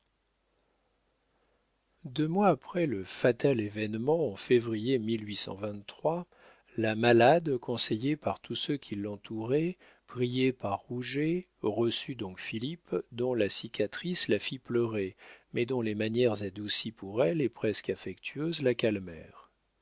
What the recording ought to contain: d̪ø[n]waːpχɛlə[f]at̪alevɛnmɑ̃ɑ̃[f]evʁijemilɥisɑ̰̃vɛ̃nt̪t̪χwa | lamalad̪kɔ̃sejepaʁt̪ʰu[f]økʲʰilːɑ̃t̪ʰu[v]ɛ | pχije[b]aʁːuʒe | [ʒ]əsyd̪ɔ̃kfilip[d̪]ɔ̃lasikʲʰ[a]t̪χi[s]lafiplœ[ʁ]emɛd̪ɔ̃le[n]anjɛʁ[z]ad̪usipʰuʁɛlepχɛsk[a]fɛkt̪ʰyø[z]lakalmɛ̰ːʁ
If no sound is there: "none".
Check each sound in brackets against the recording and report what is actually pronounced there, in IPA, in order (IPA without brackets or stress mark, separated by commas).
m, f, f, s, ʁ, p, ʁ, d̪, a, s, ʁ, m, z, a, z